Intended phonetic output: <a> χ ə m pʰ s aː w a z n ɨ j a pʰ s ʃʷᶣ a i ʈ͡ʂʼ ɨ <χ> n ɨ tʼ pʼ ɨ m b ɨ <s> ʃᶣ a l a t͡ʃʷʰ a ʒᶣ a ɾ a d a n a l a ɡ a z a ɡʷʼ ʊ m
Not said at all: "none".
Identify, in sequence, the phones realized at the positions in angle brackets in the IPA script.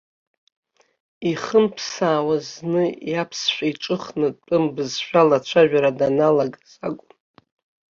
i, χ, z

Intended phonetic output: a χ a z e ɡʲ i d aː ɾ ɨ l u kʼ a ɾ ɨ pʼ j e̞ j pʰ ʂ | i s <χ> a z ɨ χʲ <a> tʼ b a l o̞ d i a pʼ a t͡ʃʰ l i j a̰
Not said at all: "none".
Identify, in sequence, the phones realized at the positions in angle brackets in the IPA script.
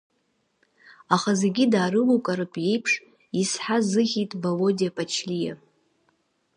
ħ, i

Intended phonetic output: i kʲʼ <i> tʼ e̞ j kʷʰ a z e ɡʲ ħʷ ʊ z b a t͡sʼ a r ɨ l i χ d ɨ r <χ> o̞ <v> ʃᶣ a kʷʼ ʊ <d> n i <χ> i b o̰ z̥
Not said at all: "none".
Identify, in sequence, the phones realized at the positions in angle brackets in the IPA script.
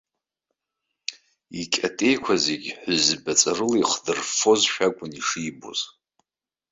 a, f, z, none, ʂ

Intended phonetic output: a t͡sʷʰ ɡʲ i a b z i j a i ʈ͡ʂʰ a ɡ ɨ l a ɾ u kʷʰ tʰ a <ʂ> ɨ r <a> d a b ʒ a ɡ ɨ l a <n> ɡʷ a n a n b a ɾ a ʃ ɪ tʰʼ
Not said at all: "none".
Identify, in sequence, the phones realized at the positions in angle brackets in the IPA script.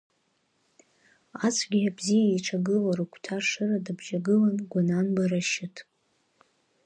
ʂ, a, n

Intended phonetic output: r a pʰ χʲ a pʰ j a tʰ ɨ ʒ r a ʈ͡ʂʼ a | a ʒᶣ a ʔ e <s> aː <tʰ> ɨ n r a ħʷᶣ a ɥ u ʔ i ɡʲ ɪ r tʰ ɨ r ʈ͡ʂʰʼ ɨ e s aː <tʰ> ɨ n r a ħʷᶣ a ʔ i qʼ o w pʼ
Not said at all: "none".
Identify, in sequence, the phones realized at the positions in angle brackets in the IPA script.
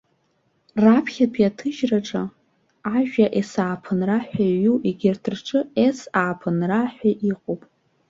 s, pʰ, pʰ

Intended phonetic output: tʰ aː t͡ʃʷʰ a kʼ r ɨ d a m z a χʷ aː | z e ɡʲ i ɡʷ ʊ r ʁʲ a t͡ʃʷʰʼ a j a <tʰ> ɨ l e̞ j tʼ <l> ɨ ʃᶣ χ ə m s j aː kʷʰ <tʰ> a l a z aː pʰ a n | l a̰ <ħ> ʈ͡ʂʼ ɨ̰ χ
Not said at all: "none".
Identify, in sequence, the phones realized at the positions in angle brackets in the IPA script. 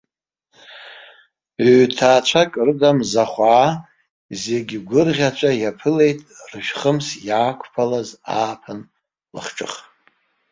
pʰ, r, pʰ, χ

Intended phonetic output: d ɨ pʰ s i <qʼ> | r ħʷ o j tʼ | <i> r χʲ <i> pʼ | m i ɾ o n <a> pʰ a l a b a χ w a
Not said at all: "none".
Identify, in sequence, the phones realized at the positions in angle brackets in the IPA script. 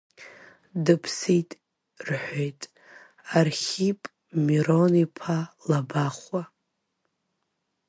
tʼ, a, i, i

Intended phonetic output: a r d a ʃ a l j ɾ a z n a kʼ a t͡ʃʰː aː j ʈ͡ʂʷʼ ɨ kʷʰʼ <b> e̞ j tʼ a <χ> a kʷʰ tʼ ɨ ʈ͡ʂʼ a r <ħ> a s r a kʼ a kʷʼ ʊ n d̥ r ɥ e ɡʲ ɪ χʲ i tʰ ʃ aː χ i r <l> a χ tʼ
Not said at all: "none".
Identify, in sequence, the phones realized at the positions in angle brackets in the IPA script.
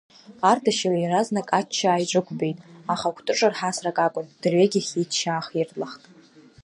b, χ, ħ, l

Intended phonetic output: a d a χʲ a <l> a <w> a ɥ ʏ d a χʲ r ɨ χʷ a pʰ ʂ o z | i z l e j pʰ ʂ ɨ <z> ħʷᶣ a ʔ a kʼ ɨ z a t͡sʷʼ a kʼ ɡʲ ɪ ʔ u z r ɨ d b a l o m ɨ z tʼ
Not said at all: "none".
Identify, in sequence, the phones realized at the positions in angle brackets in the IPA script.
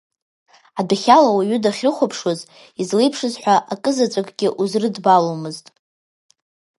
l, w, z

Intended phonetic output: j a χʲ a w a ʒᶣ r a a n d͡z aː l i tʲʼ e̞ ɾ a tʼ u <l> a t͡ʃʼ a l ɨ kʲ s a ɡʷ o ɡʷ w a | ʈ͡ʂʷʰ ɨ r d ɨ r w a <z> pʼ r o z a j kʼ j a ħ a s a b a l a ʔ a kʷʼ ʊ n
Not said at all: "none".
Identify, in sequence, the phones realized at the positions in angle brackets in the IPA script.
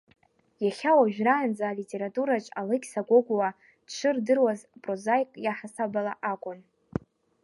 ɾ, z

